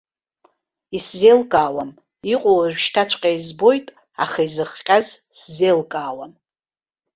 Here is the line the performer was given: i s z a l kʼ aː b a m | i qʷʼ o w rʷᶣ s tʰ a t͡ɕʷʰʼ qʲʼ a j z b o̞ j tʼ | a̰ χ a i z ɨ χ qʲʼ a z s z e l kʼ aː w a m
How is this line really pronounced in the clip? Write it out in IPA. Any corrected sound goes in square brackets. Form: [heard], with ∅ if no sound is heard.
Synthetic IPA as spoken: i s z [e] l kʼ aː [w] a m | i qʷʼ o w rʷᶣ [ʃ] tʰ a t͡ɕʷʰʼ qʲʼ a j z b o̞ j tʼ | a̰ χ a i z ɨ χ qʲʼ a z s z e l kʼ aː w a m